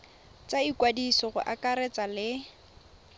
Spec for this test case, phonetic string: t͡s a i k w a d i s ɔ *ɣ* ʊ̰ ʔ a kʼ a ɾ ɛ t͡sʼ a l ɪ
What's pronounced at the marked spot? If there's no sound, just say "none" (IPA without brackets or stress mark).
ɣ